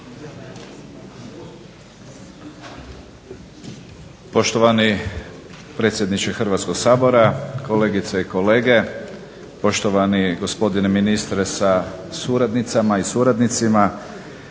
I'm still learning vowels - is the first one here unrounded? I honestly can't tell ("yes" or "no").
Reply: no